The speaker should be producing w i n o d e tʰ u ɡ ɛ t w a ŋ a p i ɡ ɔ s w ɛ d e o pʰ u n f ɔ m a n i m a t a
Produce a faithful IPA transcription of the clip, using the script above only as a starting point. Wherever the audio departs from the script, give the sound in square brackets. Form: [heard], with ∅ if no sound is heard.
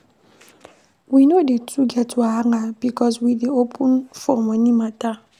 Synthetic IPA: w i n o d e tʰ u ɡ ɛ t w a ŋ a [b] i [k] ɔ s w [i] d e o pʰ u n f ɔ m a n i m a t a